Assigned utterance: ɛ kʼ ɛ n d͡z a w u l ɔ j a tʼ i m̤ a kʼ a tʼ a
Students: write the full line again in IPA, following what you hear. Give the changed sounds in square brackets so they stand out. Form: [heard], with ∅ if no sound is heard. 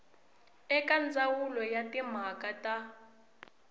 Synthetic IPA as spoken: ɛ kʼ [a] n d͡z a w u l ɔ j a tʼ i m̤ a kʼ a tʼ a

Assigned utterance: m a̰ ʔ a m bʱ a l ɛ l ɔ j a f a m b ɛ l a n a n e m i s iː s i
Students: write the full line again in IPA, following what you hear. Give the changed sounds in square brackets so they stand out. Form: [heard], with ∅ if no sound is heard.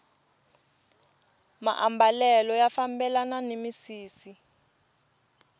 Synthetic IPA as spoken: m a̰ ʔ a m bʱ a l ɛ l ɔ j a f a m b ɛ l a n a n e m i s iː s i

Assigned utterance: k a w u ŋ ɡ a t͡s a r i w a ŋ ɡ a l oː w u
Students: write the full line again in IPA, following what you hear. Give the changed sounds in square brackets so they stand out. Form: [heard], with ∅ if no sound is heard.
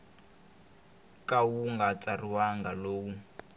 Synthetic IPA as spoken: k a w u ŋ ɡ a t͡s a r i w a ŋ ɡ a l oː w u

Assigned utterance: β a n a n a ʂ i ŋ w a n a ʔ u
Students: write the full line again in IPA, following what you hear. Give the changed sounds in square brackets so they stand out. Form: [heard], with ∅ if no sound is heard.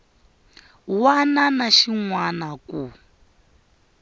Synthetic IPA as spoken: [w] a n a n a [ʃ] i ŋ w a n a [k] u

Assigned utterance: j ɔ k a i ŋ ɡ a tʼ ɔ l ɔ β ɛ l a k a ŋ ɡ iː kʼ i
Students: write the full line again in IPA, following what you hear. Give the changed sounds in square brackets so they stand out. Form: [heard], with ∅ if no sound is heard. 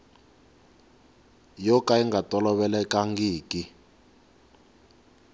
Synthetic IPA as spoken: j ɔ k a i ŋ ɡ a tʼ ɔ l ɔ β ɛ l [ɛ] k a ŋ ɡ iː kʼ i

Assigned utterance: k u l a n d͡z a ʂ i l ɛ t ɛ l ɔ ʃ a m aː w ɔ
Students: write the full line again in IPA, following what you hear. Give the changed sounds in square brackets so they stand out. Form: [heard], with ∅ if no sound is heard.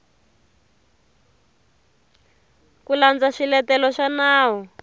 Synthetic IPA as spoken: k u l a n d͡z a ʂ i l ɛ t ɛ l ɔ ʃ a [n] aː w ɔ

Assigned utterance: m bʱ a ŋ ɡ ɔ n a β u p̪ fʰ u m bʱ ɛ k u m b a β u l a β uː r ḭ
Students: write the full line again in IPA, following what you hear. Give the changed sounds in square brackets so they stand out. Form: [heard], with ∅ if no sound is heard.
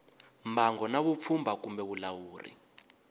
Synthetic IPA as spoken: m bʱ a ŋ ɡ ɔ n a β u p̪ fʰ u m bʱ [a] k u m b [ɛ] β u l a [w] uː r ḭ

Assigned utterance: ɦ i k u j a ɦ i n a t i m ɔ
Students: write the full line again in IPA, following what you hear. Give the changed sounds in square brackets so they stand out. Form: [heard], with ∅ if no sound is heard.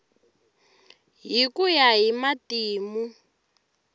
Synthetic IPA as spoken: ɦ i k u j a ɦ i [m] a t [iː] m [u]

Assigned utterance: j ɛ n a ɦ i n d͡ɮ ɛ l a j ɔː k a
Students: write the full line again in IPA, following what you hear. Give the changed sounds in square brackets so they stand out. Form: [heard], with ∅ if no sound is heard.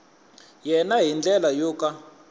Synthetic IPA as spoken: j ɛ n a ɦ i n d͡ɮ ɛ l a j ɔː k a

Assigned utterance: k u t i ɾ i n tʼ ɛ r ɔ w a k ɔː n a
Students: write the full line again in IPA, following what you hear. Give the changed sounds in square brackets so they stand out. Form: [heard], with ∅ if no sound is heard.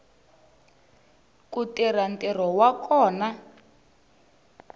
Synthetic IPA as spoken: k u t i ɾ [a] n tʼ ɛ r ɔ w a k ɔː n a

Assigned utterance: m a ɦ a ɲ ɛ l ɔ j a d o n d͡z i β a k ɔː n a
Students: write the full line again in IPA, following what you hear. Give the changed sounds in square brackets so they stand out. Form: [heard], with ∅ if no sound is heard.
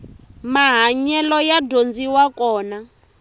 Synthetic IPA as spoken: m a ɦ a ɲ ɛ l ɔ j a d o n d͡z i [w] a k ɔː n a

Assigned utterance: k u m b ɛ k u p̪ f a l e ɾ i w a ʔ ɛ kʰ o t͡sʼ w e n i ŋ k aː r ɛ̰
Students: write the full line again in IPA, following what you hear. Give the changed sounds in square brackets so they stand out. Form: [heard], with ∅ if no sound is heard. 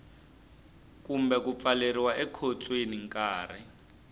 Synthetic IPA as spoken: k u m b ɛ k u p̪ f a l e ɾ i w a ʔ ɛ kʰ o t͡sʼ w e n i ŋ k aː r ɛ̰

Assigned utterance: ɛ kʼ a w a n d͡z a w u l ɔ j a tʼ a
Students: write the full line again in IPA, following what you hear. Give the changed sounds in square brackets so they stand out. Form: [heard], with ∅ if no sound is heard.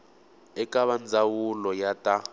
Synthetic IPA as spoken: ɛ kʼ a [β] a n d͡z a w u l ɔ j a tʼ a

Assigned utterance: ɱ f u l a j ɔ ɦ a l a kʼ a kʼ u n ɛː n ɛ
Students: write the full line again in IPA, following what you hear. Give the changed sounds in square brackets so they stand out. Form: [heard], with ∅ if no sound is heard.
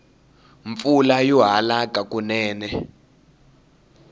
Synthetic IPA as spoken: ɱ f u l a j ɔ ɦ a l a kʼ a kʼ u n ɛː n ɛ

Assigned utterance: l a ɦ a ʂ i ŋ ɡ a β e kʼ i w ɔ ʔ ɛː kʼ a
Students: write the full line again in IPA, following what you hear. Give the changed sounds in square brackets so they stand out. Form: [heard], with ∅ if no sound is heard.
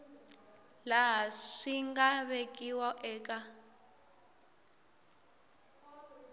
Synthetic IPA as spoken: l a ɦ a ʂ i ŋ ɡ a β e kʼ i w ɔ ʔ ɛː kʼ a

